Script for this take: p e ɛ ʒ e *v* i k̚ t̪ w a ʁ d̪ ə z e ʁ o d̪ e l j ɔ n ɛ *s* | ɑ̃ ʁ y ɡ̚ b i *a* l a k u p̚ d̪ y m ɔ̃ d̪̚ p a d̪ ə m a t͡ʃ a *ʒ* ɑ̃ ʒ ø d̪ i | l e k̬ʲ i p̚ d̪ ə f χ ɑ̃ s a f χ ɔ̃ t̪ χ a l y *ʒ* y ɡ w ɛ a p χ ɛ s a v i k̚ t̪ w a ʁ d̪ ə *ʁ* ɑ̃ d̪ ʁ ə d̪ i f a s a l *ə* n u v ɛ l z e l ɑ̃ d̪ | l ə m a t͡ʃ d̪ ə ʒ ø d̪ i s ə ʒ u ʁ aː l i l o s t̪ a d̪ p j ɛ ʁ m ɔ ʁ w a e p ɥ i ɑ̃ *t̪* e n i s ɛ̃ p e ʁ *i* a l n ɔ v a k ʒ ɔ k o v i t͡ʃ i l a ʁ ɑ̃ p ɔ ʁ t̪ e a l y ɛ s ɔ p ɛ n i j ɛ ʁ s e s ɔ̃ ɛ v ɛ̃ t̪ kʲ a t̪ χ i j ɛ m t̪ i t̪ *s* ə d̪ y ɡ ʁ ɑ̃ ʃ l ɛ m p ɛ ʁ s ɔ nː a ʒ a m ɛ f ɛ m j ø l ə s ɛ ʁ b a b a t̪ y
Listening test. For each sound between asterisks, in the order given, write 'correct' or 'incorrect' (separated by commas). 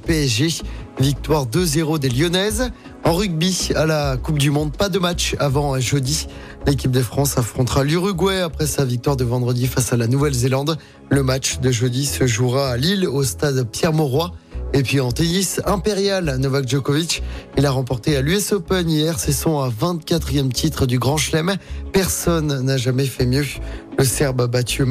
correct, incorrect, correct, incorrect, incorrect, incorrect, incorrect, correct, incorrect, incorrect